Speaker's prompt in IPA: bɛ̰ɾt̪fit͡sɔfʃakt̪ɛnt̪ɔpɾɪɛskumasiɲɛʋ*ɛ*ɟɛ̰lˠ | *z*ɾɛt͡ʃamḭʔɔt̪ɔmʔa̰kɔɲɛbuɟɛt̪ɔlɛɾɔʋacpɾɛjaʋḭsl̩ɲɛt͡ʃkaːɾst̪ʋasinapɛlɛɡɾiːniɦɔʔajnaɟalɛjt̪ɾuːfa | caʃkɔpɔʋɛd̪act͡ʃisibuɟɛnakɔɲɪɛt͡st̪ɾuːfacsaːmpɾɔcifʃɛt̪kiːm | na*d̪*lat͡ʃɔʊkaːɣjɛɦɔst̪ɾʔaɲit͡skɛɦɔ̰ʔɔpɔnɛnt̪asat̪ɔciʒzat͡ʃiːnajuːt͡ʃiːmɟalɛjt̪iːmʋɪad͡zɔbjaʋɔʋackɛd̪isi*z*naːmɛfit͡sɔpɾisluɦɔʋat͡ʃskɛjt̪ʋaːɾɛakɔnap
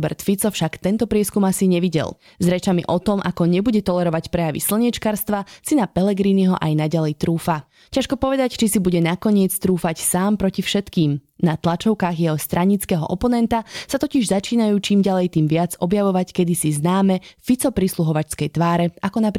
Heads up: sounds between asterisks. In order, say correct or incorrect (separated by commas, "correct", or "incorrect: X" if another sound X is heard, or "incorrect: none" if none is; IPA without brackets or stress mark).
incorrect: i, correct, incorrect: t̪, correct